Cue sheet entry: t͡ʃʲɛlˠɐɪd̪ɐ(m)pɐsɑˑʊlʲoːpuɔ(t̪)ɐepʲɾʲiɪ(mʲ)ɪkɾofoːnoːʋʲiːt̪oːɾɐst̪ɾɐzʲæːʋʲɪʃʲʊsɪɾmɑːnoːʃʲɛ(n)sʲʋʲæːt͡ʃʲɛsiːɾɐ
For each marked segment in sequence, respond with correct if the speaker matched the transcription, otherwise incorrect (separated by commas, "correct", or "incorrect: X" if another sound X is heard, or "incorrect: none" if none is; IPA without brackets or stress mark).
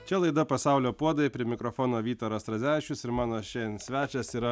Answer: incorrect: none, incorrect: d̪, correct, correct